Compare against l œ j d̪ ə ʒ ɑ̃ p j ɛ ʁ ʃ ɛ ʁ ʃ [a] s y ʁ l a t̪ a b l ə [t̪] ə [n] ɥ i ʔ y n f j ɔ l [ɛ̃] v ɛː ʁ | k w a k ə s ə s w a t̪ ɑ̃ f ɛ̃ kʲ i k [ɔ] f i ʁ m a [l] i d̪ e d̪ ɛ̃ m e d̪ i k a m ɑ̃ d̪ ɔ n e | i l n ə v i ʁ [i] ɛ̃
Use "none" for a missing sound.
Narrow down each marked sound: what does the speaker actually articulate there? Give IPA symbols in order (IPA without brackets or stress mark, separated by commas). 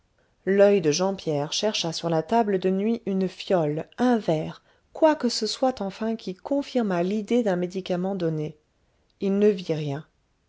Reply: a, d̪, n, ɛ̃, ɔ̃, l, j